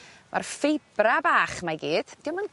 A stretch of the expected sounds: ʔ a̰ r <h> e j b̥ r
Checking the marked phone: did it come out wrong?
yes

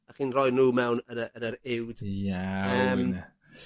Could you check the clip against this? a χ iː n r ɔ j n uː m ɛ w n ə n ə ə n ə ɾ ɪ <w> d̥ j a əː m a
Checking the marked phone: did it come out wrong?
no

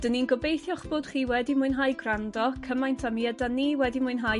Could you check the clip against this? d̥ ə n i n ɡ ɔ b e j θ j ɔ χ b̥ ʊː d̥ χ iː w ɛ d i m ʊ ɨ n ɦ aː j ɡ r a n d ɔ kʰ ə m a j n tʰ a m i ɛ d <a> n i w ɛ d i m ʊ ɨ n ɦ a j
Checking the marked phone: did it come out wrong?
no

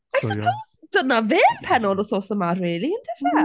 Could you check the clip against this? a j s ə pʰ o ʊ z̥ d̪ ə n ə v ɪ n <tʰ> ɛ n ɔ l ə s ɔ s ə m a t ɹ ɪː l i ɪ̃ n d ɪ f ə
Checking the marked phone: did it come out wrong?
yes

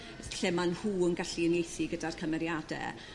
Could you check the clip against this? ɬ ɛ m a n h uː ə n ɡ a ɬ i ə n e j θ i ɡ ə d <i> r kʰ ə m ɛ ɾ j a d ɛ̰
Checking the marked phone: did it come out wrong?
yes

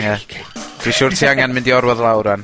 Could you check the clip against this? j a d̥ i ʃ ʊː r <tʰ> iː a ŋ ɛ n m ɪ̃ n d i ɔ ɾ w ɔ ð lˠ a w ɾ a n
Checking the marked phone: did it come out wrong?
no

